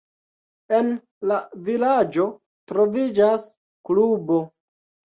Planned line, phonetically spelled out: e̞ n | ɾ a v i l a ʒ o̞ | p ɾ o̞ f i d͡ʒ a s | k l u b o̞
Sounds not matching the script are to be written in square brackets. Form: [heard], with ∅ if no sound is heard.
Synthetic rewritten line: e̞ n | [l] a v i l a [d͡ʒ] o̞ | [t] ɾ o̞ [v] i d͡ʒ a s | k l u b o̞